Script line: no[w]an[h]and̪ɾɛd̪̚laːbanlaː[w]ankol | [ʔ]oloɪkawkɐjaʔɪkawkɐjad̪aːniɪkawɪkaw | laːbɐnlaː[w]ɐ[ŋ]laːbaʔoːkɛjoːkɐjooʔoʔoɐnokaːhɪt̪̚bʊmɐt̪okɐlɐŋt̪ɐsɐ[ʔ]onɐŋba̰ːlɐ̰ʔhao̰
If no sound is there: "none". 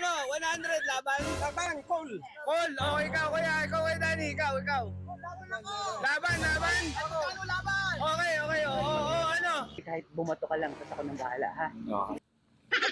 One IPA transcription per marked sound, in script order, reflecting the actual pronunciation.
w, h, b, k, b, n, k

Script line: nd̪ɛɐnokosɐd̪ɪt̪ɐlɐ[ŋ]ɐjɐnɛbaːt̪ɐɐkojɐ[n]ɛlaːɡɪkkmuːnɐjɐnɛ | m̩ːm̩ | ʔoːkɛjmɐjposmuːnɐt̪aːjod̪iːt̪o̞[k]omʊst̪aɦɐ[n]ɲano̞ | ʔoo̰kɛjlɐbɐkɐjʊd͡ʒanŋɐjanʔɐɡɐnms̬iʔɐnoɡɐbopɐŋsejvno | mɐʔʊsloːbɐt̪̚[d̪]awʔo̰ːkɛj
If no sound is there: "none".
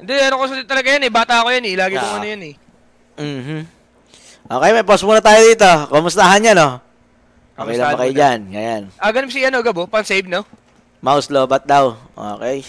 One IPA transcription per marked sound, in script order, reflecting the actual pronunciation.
ɡ, n, k, n, d̪

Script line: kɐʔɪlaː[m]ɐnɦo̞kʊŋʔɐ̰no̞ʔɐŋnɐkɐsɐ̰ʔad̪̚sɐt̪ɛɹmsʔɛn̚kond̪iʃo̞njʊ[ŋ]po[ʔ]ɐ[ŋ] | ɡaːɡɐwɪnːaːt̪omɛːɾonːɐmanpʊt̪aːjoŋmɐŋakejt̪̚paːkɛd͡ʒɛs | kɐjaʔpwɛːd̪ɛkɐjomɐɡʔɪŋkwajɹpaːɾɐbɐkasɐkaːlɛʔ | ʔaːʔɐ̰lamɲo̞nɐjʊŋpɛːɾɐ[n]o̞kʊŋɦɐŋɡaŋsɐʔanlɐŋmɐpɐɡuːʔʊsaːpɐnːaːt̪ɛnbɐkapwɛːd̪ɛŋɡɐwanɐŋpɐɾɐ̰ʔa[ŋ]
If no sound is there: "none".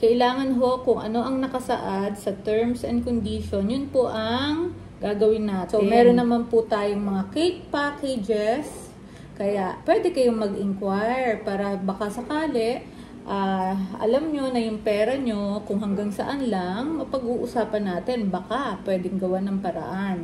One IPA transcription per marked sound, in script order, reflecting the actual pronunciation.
ŋ, n, ʔ, ŋ, ɲ, n

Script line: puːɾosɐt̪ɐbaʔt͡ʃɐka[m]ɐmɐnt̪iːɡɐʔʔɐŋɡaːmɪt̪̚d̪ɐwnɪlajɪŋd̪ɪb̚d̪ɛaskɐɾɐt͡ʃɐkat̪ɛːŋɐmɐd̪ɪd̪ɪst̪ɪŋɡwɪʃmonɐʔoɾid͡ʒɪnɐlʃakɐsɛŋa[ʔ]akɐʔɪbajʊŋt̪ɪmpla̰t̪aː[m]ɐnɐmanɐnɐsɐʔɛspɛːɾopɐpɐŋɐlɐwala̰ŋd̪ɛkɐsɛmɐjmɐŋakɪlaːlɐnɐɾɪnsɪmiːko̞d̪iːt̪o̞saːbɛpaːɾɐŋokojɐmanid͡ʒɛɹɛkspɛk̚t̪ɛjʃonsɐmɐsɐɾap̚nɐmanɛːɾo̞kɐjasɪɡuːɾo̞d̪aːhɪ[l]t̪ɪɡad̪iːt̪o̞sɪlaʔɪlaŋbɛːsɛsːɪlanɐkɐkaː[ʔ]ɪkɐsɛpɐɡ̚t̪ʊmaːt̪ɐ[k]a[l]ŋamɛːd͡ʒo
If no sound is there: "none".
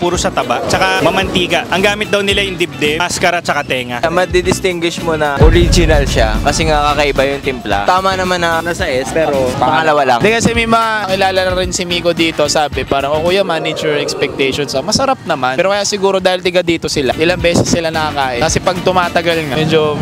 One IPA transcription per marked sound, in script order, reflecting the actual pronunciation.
m, k, m, l, ʔ, ɡ, l

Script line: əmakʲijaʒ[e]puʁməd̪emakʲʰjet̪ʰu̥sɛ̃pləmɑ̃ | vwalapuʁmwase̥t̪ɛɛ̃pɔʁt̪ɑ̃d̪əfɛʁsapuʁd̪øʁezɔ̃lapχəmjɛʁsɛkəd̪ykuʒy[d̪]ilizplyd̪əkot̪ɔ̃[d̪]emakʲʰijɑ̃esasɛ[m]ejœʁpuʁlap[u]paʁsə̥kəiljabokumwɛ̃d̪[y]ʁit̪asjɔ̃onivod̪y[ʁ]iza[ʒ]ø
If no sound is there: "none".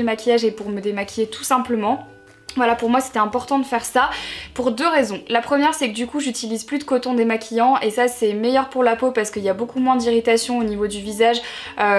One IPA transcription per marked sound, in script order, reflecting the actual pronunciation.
e, t̪, d̪, m, o, i, v, ʒ

